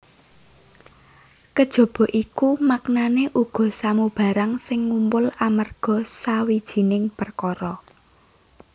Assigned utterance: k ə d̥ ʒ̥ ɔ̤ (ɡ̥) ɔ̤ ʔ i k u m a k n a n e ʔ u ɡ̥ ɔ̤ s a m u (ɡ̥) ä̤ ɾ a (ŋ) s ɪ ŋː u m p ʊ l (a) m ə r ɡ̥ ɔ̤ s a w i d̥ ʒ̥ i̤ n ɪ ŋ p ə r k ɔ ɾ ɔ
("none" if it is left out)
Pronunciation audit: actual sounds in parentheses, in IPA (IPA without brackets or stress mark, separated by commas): b̥, b̥, ŋ, a